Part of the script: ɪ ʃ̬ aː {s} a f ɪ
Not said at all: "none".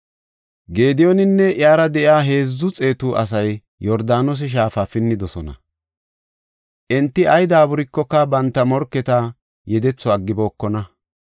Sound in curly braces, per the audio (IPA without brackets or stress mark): f